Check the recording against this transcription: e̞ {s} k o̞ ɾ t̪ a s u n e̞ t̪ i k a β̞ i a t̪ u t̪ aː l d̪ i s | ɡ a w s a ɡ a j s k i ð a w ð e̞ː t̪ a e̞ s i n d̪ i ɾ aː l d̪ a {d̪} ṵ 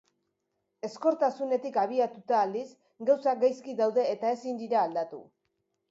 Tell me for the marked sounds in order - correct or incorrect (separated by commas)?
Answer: correct, incorrect